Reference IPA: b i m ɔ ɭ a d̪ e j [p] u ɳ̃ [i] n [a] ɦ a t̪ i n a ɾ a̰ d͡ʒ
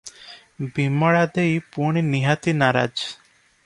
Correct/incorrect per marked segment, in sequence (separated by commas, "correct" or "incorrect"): correct, correct, incorrect